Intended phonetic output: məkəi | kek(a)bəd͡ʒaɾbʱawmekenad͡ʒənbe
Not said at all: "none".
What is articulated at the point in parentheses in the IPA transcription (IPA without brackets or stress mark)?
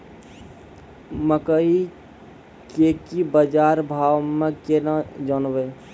i